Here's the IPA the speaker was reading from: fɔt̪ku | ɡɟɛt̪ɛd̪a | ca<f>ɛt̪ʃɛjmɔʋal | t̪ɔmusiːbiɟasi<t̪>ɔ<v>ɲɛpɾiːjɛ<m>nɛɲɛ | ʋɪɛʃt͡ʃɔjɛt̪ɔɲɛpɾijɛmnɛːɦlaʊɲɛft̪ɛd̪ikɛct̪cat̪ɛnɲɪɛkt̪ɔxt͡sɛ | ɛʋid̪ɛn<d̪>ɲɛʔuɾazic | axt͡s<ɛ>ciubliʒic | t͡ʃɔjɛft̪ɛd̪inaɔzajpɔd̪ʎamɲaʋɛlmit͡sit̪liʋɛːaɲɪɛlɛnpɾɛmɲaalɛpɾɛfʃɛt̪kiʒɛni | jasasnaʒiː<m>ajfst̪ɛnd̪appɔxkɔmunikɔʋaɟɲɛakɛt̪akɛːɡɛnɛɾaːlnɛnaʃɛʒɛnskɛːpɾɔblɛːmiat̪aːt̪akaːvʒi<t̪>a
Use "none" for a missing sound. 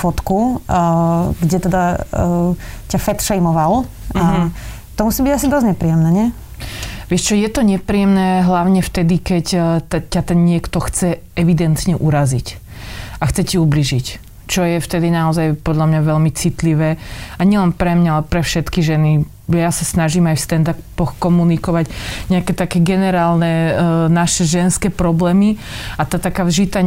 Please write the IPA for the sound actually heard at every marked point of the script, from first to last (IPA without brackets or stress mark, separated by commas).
f, d̪, z, m, t̪, ɛ, m, t̪